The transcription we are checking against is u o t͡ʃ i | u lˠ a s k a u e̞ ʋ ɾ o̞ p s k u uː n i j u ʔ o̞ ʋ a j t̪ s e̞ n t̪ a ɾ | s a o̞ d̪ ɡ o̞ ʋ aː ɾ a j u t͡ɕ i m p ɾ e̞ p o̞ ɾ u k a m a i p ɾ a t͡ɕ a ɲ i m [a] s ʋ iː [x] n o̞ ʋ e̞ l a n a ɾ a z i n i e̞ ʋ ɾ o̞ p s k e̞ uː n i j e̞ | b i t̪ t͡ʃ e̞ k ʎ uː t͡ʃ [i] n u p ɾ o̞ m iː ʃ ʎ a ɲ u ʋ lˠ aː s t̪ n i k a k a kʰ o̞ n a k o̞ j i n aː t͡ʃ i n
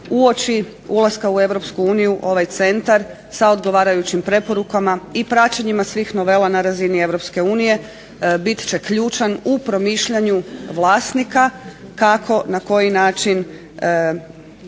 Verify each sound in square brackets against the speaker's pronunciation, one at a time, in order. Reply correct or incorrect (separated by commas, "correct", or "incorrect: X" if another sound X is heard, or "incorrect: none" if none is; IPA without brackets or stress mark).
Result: correct, correct, incorrect: a